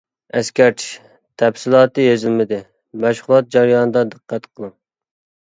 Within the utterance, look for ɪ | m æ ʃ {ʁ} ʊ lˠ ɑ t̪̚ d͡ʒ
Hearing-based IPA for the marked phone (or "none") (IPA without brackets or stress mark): χ